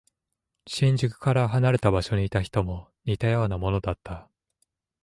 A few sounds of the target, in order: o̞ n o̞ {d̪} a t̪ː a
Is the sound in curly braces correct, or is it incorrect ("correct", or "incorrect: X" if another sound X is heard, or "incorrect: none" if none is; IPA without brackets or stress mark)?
correct